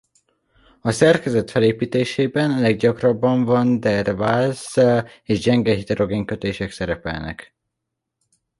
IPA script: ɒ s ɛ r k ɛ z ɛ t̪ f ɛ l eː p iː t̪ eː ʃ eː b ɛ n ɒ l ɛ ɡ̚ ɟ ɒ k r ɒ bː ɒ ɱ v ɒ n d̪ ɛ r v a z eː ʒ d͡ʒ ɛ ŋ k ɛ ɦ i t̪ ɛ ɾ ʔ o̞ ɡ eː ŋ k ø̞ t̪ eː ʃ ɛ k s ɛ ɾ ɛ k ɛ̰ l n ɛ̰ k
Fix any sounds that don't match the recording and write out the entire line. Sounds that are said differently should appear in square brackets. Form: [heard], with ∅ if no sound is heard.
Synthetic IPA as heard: ɒ s ɛ r k ɛ z ɛ t̪ f ɛ l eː p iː t̪ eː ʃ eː b ɛ n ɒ l ɛ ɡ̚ ɟ ɒ k r ɒ bː ɒ ɱ v ɒ n d̪ ɛ r v a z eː ʒ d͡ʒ ɛ ŋ [ɡ] ɛ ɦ i t̪ ɛ ɾ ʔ o̞ ɡ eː ŋ k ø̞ t̪ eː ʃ ɛ k s ɛ ɾ ɛ [p] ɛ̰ l n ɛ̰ k